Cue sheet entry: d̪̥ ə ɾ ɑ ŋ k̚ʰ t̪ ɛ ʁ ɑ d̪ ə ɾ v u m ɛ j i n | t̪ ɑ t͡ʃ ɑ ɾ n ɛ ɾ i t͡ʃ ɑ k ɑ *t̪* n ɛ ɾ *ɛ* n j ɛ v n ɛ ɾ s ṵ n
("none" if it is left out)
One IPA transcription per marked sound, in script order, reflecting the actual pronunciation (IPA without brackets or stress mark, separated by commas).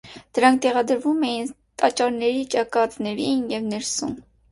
t̪, i